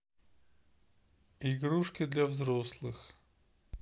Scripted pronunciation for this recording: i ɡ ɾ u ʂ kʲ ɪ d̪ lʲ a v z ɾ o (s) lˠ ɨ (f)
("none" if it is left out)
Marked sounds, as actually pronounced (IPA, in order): s, x

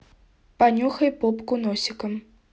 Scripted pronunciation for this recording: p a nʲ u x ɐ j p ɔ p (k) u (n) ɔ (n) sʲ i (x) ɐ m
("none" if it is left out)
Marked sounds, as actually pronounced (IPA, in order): k, n, none, k

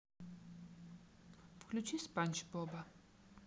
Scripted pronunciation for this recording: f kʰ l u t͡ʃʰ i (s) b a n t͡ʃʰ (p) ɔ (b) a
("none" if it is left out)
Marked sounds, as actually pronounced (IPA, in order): s, b, b

